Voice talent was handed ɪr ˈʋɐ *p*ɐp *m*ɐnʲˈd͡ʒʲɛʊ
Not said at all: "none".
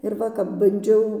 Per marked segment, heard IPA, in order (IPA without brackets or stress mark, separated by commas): k, b